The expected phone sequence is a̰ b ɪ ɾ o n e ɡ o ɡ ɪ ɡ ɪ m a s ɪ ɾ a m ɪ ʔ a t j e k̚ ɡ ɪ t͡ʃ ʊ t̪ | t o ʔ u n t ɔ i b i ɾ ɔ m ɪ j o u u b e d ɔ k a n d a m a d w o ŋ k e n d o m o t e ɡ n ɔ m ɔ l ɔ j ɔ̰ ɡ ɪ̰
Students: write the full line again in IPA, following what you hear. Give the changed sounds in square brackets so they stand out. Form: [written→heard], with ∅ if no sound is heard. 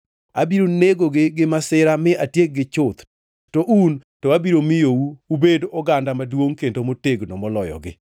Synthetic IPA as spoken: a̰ b [ɪ→i] ɾ o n e ɡ o ɡ ɪ ɡ ɪ m a s ɪ ɾ a m ɪ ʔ a t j e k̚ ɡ ɪ t͡ʃ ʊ t̪ | t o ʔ u n t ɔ [i→a] b i ɾ [ɔ→o] m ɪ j o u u b e d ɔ [k→ɡ] a n d a m a d w o ŋ k e n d o m o t e ɡ n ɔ m ɔ l ɔ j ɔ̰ ɡ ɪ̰